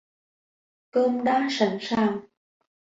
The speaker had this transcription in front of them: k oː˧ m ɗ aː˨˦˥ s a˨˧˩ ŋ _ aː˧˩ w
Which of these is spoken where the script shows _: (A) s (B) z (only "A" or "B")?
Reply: A